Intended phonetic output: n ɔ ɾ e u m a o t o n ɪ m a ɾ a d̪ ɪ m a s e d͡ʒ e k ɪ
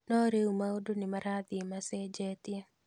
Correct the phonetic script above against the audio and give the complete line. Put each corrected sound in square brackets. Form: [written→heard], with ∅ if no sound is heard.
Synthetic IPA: n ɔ ɾ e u m a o [t→d] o n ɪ m a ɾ a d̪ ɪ m a s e d͡ʒ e [k→t] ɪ